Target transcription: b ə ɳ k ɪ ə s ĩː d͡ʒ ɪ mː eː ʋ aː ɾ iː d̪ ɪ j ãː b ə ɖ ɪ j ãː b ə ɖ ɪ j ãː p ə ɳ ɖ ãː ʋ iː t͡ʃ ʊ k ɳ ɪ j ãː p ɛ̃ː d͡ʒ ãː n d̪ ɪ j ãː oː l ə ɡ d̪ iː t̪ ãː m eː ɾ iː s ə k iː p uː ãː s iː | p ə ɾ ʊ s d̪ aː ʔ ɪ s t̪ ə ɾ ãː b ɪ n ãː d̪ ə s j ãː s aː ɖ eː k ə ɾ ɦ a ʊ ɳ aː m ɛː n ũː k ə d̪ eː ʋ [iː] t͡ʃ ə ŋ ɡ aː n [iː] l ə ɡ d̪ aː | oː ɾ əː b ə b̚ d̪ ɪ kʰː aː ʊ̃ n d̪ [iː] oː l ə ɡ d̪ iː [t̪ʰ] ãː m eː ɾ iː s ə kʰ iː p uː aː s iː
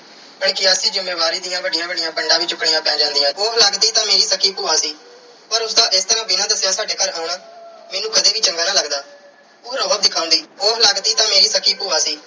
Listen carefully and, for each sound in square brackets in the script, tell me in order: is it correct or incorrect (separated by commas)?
correct, incorrect, correct, incorrect